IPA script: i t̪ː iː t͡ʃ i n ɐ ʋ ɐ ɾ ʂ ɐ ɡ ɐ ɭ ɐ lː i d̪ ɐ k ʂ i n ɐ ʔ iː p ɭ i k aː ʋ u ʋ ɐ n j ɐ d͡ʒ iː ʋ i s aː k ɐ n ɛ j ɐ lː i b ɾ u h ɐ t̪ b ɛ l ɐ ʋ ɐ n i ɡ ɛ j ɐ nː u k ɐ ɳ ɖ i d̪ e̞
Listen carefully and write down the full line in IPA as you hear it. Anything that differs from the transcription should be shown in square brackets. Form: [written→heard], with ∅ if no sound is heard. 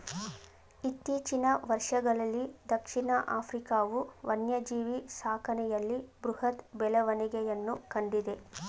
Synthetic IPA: i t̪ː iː t͡ʃ i n ɐ ʋ ɐ ɾ ʂ ɐ ɡ ɐ ɭ ɐ lː i d̪ ɐ k ʂ i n ɐ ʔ [iː→aː] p [ɭ→ɾ] i k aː ʋ u ʋ ɐ n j ɐ d͡ʒ iː ʋ i s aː k ɐ n ɛ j ɐ lː i b ɾ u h ɐ t̪ b ɛ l ɐ ʋ ɐ n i ɡ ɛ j ɐ nː u k ɐ ɳ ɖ i d̪ e̞

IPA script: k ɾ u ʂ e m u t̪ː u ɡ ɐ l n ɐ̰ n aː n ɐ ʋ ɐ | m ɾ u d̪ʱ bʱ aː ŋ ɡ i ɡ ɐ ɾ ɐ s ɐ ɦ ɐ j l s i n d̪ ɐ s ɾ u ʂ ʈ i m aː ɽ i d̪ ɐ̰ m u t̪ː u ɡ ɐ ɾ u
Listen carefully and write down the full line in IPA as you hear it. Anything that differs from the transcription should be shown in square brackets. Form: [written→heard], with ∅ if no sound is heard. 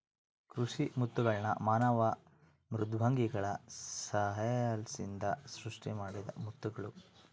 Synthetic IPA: k ɾ u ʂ [e→i] m u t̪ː u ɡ ɐ [l→ɭ] n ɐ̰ [n→m] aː n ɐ ʋ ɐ | m ɾ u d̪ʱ bʱ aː ŋ ɡ i ɡ ɐ [ɾ→ɭ] ɐ s ɐ ɦ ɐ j l s i n d̪ ɐ s ɾ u ʂ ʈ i m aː ɽ i d̪ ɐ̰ m u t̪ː u ɡ ɐ [ɾ→ɭ] u

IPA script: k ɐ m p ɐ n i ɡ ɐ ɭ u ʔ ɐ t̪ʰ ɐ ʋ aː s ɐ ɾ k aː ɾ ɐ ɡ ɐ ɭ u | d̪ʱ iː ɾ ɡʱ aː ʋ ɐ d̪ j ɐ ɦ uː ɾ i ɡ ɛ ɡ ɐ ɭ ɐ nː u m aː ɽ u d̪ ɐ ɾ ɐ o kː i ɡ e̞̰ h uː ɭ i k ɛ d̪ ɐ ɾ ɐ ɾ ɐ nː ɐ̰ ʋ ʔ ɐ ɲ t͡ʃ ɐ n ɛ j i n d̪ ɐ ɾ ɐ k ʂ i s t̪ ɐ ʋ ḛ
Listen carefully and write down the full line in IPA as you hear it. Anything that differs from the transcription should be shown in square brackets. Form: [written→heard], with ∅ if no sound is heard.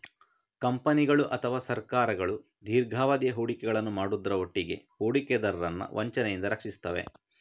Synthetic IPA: k ɐ m p ɐ n i ɡ ɐ ɭ u ʔ ɐ t̪ʰ ɐ ʋ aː s ɐ ɾ k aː ɾ ɐ ɡ ɐ ɭ u | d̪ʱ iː ɾ ɡʱ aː ʋ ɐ d̪ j ɐ ɦ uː [ɾ→ɽ] i [ɡ→k] ɛ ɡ ɐ ɭ ɐ nː u m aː ɽ u d̪ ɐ ɾ ɐ o [kː→ʈː] i ɡ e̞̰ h uː [ɭ→ɽ] i k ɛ d̪ ɐ ɾ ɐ ɾ ɐ nː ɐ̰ ʋ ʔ ɐ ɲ t͡ʃ ɐ n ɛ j i n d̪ ɐ ɾ ɐ k ʂ i s t̪ ɐ ʋ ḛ

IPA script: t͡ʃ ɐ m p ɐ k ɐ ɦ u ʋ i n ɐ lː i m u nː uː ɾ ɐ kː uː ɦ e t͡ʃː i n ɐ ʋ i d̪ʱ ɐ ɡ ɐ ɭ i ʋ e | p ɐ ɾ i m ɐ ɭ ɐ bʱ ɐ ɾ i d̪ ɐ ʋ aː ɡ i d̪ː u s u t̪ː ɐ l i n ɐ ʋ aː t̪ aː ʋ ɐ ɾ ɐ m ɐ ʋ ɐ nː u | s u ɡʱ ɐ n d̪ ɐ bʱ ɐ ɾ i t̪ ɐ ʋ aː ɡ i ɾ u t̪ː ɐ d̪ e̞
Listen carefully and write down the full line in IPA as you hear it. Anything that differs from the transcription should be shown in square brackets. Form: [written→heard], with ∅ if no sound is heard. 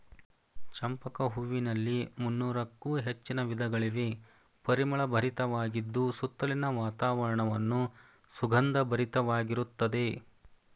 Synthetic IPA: t͡ʃ ɐ m p ɐ k ɐ ɦ u ʋ i n ɐ lː i m u nː uː ɾ ɐ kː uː ɦ e t͡ʃː i n ɐ ʋ i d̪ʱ ɐ ɡ ɐ ɭ i ʋ e | p ɐ ɾ i m ɐ ɭ ɐ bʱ ɐ ɾ i [d̪→t̪] ɐ ʋ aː ɡ i d̪ː u s u t̪ː ɐ l i n ɐ ʋ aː t̪ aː ʋ ɐ ɾ ɐ [m→ɳ] ɐ ʋ ɐ nː u | s u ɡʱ ɐ n d̪ ɐ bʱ ɐ ɾ i t̪ ɐ ʋ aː ɡ i ɾ u t̪ː ɐ d̪ e̞

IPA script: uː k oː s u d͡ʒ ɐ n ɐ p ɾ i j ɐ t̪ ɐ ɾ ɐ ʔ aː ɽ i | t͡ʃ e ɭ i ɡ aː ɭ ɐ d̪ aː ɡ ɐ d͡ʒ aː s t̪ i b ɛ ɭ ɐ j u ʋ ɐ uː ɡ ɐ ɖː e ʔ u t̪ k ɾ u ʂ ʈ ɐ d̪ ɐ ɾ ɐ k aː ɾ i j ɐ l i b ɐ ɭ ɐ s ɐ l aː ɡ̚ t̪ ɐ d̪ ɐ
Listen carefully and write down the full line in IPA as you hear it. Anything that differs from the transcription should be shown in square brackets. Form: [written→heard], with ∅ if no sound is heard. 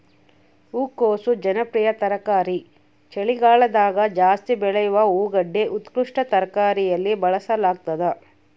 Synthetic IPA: uː k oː s u d͡ʒ ɐ n ɐ p ɾ i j ɐ t̪ ɐ ɾ ɐ [ʔ→k] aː [ɽ→ɾ] i | t͡ʃ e ɭ i ɡ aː ɭ ɐ d̪ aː ɡ ɐ d͡ʒ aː s t̪ i b ɛ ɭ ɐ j u ʋ ɐ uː ɡ ɐ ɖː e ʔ u t̪ k ɾ u ʂ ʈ ɐ [d̪→t̪] ɐ ɾ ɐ k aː ɾ i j ɐ [l→lː] i b ɐ ɭ ɐ s ɐ l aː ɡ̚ t̪ ɐ d̪ ɐ

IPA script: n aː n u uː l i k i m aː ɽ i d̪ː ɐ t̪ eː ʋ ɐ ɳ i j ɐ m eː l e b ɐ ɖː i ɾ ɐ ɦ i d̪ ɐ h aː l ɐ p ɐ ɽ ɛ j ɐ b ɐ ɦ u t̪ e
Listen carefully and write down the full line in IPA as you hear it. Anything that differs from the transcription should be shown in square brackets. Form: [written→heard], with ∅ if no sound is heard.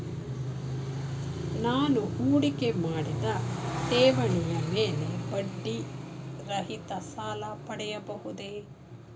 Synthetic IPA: n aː n u uː [l→ɽ] i k [i→e] m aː ɽ i [d̪ː→d̪] ɐ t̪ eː ʋ ɐ ɳ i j ɐ m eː l e b ɐ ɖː i ɾ ɐ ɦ i [d̪→t̪] ɐ [h→s] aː l ɐ p ɐ ɽ ɛ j ɐ b ɐ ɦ u [t̪→d̪] e

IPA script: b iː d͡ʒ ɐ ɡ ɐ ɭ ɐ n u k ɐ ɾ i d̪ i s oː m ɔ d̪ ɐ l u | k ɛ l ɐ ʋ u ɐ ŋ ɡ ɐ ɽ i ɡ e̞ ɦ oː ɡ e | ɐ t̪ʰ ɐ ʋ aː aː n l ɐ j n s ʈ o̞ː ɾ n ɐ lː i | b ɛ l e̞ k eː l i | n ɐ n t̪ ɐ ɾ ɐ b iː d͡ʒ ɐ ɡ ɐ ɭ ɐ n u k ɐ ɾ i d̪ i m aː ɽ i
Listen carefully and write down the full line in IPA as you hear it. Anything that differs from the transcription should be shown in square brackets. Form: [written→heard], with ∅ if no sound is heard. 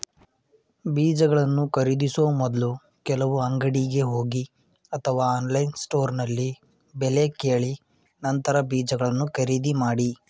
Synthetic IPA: b iː d͡ʒ ɐ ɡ ɐ ɭ ɐ [n→nː] u k ɐ ɾ i d̪ i s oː m ɔ d̪ ɐ l u | k ɛ l ɐ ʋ u ɐ ŋ ɡ ɐ ɽ i ɡ e̞ ɦ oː ɡ [e→i] | ɐ t̪ʰ ɐ ʋ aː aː n l ɐ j n s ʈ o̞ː ɾ n ɐ lː i | b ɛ l e̞ k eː [l→ɭ] i | n ɐ n t̪ ɐ ɾ ɐ b iː d͡ʒ ɐ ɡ ɐ ɭ ɐ [n→nː] u k ɐ ɾ i d̪ i m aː ɽ i

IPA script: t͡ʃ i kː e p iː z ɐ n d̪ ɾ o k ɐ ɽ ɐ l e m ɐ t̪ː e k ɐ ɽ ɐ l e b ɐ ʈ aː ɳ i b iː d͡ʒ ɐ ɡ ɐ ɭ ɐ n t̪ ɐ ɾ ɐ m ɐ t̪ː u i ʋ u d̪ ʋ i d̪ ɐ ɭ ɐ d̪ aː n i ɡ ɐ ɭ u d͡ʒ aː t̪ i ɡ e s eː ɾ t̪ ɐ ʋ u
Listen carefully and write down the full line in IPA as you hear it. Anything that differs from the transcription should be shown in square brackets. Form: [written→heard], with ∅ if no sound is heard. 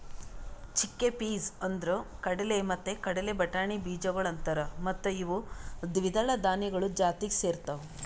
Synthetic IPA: t͡ʃ i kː e p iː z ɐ n d̪ ɾ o k ɐ ɽ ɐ l e m ɐ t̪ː e k ɐ ɽ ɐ l e b ɐ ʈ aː ɳ i b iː d͡ʒ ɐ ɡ ɐ ɭ ɐ n t̪ ɐ ɾ ɐ m ɐ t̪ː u i ʋ u d̪ ʋ i d̪ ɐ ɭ ɐ d̪ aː n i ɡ ɐ ɭ u d͡ʒ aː t̪ i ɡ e s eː ɾ t̪ ɐ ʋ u

